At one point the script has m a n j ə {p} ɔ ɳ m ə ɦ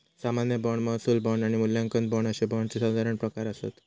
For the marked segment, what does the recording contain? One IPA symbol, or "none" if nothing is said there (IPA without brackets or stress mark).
b